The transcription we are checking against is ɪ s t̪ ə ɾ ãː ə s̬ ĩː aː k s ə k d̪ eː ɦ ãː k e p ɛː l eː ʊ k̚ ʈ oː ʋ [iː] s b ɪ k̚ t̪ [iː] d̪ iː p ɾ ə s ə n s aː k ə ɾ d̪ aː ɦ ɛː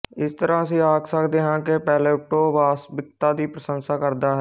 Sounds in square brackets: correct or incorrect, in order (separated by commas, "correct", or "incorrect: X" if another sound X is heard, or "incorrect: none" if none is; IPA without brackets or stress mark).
incorrect: aː, incorrect: aː